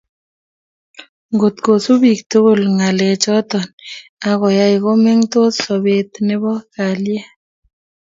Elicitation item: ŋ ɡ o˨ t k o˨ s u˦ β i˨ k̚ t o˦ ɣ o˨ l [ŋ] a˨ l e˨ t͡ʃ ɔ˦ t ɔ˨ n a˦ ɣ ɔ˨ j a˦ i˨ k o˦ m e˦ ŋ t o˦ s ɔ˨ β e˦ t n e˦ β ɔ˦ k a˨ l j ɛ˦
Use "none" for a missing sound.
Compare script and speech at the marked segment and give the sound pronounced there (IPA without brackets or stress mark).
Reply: ŋ